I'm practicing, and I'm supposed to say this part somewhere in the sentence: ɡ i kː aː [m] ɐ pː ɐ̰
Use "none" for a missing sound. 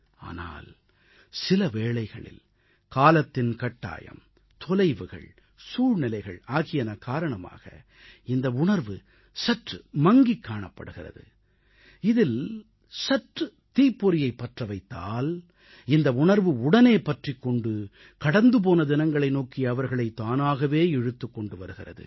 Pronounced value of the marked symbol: ɳ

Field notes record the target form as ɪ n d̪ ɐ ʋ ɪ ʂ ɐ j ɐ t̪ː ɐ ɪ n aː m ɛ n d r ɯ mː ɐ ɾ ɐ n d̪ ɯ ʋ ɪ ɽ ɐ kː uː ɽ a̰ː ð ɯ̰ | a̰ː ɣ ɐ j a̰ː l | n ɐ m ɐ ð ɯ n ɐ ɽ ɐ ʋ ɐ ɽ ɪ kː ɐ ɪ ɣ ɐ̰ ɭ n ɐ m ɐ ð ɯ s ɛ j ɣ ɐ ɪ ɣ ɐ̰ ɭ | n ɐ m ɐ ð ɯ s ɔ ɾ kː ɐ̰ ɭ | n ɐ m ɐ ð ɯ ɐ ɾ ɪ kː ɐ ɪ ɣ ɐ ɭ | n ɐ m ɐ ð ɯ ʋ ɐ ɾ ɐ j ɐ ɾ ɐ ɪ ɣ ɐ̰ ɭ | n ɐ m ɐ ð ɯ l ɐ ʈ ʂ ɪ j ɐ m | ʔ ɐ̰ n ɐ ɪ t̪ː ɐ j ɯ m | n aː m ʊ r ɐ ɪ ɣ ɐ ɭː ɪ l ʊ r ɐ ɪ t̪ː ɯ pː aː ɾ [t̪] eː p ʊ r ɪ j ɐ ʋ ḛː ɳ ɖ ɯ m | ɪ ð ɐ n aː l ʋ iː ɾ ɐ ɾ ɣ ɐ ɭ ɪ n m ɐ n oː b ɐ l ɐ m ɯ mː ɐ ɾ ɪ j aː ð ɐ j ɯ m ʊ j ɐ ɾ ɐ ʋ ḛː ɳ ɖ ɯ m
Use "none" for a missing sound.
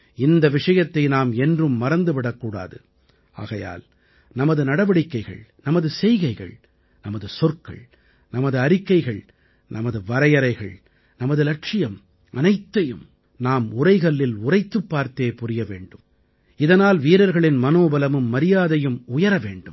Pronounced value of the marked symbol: t̪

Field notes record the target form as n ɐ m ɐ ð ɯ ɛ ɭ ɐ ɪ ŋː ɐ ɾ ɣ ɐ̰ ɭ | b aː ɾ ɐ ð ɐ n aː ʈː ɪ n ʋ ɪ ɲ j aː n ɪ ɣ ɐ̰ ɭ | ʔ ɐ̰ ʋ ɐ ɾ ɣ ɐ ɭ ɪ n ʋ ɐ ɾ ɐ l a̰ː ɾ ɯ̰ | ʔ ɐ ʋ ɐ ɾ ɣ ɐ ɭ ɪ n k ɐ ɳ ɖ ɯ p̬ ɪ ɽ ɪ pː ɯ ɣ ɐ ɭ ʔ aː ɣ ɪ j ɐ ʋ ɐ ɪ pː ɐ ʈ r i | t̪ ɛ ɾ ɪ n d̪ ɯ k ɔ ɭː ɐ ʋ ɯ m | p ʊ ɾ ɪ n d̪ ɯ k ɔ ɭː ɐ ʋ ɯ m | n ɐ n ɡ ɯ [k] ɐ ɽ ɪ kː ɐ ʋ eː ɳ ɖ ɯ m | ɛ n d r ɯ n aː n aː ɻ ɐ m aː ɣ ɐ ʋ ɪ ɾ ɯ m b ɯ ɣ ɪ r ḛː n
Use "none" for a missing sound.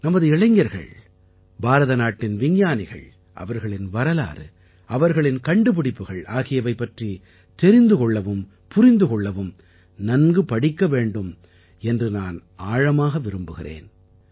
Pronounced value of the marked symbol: p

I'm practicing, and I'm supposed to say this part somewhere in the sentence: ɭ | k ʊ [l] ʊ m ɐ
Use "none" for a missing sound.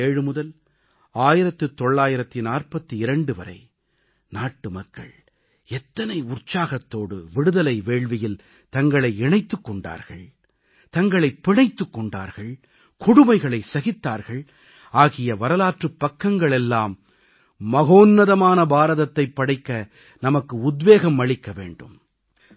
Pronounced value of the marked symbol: ɽ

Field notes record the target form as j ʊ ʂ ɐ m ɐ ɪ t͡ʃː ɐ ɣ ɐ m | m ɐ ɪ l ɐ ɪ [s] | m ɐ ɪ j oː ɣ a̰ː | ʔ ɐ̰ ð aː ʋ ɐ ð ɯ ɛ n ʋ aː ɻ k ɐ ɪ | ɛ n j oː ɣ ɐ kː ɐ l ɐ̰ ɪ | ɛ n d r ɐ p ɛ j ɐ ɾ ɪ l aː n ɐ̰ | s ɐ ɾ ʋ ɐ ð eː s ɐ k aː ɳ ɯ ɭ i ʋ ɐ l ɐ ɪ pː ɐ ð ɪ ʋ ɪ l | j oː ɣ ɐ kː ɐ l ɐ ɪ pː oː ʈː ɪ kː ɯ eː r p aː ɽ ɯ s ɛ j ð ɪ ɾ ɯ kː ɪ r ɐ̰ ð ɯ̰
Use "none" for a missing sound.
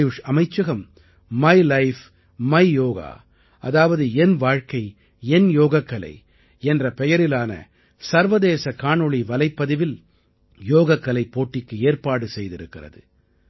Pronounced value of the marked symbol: f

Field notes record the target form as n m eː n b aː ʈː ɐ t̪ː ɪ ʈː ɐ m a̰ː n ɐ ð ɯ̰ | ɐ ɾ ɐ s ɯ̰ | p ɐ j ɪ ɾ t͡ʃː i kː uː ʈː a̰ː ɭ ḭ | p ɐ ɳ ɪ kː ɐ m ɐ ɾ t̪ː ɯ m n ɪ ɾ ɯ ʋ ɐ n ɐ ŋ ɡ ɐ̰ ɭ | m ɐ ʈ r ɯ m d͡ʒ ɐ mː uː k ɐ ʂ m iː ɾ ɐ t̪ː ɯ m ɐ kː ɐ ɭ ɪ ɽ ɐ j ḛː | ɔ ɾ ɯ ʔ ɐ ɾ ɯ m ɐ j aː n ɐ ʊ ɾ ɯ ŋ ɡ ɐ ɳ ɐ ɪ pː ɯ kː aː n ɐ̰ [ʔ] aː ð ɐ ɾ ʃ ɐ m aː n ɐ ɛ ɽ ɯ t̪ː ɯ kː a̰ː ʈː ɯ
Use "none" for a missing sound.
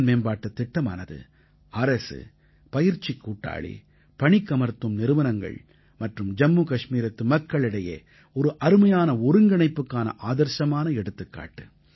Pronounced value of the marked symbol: ʔ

